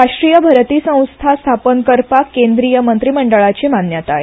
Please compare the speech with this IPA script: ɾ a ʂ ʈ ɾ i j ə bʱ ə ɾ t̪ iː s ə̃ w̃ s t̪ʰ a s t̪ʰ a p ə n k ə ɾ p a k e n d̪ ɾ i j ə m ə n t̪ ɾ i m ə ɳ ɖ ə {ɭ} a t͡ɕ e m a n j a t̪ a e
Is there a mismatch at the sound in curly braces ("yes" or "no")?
no